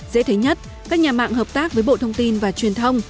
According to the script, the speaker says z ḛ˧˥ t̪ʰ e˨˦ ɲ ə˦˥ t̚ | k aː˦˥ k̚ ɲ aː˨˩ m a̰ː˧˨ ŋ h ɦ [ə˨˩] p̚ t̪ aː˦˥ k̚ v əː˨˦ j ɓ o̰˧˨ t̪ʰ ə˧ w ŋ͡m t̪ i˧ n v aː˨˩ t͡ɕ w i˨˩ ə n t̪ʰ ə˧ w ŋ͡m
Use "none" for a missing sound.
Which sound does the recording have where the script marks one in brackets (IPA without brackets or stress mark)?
əː˨˩